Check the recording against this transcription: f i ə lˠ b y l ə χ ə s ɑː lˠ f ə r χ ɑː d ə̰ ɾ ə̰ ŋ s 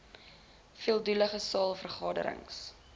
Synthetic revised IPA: f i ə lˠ d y l ə χ ə s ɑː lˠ f ə r χ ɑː d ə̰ ɾ ə̰ ŋ s